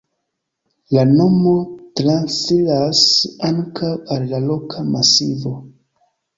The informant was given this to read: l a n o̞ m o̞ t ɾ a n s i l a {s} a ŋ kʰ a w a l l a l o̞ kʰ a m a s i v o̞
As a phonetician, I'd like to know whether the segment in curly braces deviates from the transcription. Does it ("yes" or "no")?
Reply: no